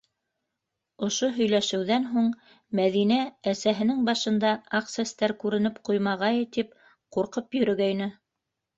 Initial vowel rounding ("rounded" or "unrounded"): rounded